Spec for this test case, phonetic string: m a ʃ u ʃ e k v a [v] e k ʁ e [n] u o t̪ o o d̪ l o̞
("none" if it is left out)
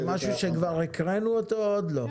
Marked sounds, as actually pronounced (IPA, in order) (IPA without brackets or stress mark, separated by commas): ʁ, n